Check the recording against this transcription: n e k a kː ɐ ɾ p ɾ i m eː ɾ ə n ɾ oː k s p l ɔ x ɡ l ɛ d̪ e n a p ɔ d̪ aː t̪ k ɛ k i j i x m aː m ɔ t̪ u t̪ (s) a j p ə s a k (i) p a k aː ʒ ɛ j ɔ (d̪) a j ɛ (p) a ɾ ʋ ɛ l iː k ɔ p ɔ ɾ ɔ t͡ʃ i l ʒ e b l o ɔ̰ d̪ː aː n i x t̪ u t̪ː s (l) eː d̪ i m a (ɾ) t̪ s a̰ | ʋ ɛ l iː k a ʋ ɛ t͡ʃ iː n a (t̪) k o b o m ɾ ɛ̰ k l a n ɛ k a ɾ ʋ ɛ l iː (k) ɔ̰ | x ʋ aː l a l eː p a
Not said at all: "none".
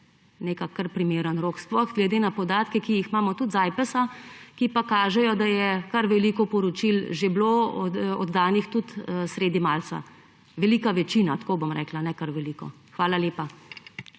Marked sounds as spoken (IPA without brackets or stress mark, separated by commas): z, i, d̪, k, ɾ, l, t̪, k